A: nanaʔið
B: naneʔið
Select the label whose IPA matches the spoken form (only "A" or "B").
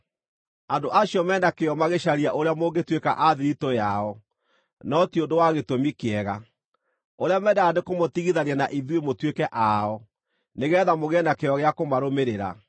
A